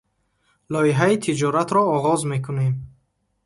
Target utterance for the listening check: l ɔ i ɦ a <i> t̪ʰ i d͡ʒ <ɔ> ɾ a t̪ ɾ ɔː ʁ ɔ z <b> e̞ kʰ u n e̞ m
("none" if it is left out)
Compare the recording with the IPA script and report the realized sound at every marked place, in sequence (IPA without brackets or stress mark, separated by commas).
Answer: i, ɔ, m